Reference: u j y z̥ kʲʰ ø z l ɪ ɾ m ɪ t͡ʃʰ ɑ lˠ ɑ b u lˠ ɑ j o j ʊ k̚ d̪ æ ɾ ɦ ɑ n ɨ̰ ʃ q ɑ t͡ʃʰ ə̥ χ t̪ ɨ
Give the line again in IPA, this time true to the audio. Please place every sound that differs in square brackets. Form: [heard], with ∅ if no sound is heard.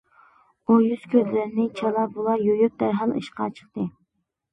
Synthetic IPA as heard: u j y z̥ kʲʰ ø z l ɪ ɾ [n] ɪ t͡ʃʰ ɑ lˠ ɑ b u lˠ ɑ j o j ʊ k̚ d̪ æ ɾ ɦ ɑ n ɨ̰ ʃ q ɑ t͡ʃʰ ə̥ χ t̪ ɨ

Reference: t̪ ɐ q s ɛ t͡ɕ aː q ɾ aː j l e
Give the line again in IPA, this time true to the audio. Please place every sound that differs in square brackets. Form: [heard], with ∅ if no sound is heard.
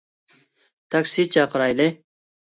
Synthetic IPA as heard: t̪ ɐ [k] s [i] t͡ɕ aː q ɾ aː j l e

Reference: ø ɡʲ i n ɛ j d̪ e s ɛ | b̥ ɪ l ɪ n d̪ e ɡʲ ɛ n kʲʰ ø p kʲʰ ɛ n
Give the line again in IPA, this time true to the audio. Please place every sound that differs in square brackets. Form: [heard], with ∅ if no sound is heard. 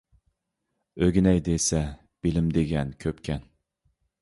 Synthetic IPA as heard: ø ɡʲ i n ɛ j d̪ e s ɛ | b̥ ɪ l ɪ [m] d̪ e ɡʲ ɛ n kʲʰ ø p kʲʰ ɛ n

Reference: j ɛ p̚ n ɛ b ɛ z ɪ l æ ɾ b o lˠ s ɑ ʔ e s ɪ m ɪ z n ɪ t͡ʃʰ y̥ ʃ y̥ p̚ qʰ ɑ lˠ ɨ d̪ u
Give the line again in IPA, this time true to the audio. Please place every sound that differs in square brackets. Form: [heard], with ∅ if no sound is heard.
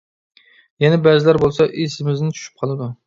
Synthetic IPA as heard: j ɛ [∅] n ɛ b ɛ z ɪ l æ ɾ b o lˠ s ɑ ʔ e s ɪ m ɪ z n ɪ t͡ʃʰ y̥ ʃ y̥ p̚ qʰ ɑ lˠ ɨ d̪ u

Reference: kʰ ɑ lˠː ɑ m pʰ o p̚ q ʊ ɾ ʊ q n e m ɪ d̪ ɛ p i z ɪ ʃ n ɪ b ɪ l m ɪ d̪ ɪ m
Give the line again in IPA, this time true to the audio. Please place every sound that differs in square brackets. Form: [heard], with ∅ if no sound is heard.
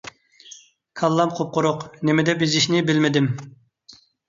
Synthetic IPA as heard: kʰ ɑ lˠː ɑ m [qʰ] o p̚ q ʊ ɾ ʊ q n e m ɪ d̪ ɛ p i z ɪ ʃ n ɪ b ɪ l m ɪ d̪ ɪ m

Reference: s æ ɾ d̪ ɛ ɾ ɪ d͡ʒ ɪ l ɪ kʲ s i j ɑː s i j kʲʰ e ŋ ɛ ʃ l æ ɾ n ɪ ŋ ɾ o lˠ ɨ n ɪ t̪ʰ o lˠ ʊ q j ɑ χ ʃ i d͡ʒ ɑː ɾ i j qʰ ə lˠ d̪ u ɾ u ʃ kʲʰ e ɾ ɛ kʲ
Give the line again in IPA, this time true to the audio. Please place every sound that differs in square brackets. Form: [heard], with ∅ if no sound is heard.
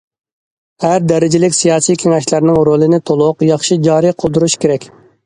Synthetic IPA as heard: [h] æ ɾ d̪ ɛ ɾ ɪ d͡ʒ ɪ l ɪ kʲ s i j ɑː s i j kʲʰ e ŋ ɛ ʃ l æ ɾ n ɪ ŋ ɾ o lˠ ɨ n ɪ t̪ʰ o lˠ ʊ q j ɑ χ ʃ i d͡ʒ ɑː ɾ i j qʰ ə lˠ d̪ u ɾ u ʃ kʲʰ e ɾ ɛ kʲ

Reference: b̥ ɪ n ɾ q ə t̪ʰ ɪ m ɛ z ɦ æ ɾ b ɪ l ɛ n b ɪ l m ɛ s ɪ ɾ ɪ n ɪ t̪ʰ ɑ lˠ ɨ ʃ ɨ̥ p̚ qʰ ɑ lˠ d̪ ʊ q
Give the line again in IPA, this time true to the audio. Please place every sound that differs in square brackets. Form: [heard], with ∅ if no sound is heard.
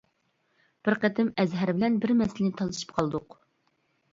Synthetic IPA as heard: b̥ ɪ [∅] ɾ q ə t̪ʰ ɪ m ɛ z ɦ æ ɾ b ɪ l ɛ n b ɪ [ɾ] m ɛ s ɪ [l] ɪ n ɪ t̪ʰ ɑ lˠ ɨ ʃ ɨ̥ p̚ qʰ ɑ lˠ d̪ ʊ q

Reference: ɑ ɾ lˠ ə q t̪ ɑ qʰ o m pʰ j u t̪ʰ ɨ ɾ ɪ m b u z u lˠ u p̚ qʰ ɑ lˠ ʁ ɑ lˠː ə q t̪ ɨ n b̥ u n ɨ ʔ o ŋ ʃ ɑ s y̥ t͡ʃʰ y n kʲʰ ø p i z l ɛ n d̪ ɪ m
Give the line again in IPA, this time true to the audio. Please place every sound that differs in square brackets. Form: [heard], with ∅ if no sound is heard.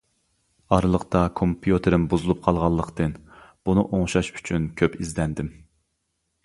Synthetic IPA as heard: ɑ ɾ lˠ ə q t̪ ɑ [kʰ] o m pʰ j u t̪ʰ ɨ ɾ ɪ m b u z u lˠ u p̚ qʰ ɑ lˠ ʁ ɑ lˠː ə q t̪ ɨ n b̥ u n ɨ ʔ o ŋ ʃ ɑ [ʃ] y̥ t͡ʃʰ y n kʲʰ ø p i z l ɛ n d̪ ɪ m

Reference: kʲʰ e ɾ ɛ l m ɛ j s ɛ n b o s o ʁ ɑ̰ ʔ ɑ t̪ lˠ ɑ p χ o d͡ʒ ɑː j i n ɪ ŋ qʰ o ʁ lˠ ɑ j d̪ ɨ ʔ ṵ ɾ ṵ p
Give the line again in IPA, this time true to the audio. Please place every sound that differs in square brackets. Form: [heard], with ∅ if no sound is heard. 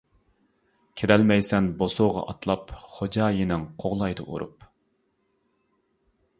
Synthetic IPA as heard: kʲʰ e ɾ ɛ l m ɛ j s ɛ n b o s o ʁ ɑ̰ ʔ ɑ t̪ lˠ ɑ p χ o d͡ʒ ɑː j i n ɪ ŋ qʰ o ʁ lˠ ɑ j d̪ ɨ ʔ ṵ ɾ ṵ p

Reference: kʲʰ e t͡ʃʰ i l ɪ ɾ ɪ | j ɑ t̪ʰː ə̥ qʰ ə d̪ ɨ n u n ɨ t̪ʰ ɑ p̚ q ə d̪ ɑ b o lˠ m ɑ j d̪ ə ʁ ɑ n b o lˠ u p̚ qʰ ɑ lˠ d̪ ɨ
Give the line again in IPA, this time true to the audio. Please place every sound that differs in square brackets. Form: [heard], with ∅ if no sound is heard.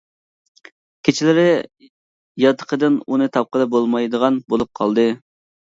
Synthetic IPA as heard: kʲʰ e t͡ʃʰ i l ɪ ɾ ɪ | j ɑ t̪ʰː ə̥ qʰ ə d̪ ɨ n u n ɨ t̪ʰ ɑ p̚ q ə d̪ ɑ b o lˠ m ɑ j d̪ ə ʁ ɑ n b o lˠ u p̚ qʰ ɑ lˠ d̪ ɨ

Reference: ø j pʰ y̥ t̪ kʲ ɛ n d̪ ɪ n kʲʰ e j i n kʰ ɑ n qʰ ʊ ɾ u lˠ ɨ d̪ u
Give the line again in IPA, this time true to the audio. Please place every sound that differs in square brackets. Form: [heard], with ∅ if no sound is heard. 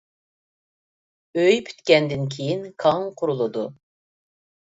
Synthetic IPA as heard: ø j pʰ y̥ t̪ kʲ ɛ n d̪ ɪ n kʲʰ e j i n kʰ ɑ [ŋ] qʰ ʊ ɾ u lˠ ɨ d̪ u

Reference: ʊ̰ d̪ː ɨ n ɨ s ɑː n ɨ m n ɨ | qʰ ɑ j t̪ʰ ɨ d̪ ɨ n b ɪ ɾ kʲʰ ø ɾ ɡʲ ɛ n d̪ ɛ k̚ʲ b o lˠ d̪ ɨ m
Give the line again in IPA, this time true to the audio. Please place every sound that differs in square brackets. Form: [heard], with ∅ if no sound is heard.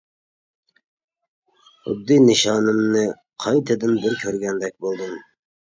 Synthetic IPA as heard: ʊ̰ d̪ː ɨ n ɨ [ʃ] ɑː n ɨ m n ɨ | qʰ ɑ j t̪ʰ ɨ d̪ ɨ n b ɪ ɾ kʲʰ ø ɾ ɡʲ ɛ n d̪ ɛ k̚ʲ b o lˠ d̪ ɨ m

